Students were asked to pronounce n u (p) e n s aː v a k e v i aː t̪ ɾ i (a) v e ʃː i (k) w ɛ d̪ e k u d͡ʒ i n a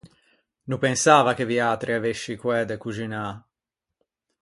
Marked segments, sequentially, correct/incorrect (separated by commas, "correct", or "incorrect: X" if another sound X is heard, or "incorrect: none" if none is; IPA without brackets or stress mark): correct, correct, correct